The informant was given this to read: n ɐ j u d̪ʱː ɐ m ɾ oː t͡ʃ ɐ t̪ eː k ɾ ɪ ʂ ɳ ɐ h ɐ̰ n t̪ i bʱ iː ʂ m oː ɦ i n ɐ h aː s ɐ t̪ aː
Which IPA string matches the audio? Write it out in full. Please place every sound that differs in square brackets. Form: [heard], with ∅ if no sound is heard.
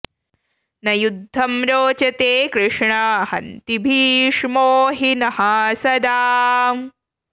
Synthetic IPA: n ɐ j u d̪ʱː ɐ m ɾ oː t͡ʃ ɐ t̪ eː k ɾ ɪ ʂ ɳ ɐ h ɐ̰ n t̪ i bʱ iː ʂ m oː ɦ i n ɐ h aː s ɐ [d̪] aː

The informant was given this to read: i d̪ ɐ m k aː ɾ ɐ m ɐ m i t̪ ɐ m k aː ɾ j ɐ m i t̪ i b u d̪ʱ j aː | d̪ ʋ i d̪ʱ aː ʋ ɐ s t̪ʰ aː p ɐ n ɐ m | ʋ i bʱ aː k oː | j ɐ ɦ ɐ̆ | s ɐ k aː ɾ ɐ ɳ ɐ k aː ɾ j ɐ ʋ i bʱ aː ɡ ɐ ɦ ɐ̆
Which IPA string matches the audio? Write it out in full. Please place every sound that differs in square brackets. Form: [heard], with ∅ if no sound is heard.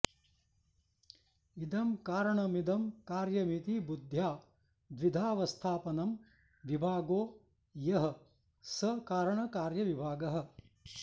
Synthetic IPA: i d̪ ɐ m k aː ɾ ɐ [ɳ] ɐ m i [d̪] ɐ m k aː ɾ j ɐ m i t̪ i b u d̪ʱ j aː | d̪ ʋ i d̪ʱ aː ʋ ɐ s t̪ʰ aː p ɐ n ɐ m | ʋ i bʱ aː [ɡ] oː | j ɐ ɦ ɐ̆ | s ɐ k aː ɾ ɐ ɳ ɐ k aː ɾ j ɐ ʋ i bʱ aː ɡ ɐ ɦ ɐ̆

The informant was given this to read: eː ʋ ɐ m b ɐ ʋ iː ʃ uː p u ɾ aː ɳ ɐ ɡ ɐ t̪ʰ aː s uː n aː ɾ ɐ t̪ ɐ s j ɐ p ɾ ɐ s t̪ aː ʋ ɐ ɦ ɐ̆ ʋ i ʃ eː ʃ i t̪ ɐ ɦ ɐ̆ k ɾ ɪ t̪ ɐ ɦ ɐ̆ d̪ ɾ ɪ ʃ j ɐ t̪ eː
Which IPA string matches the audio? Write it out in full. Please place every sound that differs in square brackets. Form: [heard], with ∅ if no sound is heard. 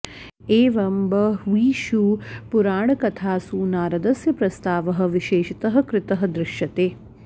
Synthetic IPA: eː ʋ ɐ m b ɐ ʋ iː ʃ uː p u ɾ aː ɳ ɐ [k] ɐ t̪ʰ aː s uː n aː ɾ ɐ [d̪] ɐ s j ɐ p ɾ ɐ s t̪ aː ʋ ɐ ɦ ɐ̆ ʋ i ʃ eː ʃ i t̪ ɐ ɦ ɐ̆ k ɾ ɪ t̪ ɐ ɦ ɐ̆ d̪ ɾ ɪ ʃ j ɐ t̪ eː

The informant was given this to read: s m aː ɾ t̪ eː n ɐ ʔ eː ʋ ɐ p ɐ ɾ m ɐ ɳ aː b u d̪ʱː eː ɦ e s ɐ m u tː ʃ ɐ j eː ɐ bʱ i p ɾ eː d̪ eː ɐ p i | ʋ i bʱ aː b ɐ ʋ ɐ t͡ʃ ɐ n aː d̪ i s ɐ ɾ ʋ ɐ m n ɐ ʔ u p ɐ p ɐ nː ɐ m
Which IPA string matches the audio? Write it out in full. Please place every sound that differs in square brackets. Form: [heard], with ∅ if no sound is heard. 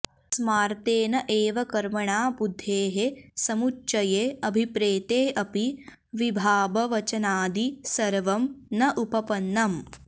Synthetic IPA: s m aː ɾ t̪ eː n ɐ ʔ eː ʋ ɐ [k] ɐ ɾ m ɐ ɳ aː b u d̪ʱː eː ɦ e s ɐ m u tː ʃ ɐ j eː ɐ bʱ i p ɾ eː [t̪] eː ɐ p i | ʋ i bʱ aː b ɐ ʋ ɐ t͡ʃ ɐ n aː d̪ i s ɐ ɾ ʋ ɐ m n ɐ ʔ u p ɐ p ɐ nː ɐ m

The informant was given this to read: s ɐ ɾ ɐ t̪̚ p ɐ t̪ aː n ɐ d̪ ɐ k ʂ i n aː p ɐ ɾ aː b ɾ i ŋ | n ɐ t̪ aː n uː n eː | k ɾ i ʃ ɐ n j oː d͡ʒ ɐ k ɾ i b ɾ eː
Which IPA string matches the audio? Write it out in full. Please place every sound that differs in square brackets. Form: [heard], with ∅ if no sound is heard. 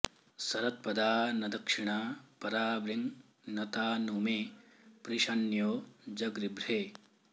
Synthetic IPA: s ɐ ɾ ɐ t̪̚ p ɐ [d̪] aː n ɐ d̪ ɐ k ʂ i [ɳ] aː p ɐ ɾ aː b ɾ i ŋ | n ɐ t̪ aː n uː [m] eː | [p] ɾ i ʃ ɐ n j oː d͡ʒ ɐ [ɡ] ɾ i b ɾ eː

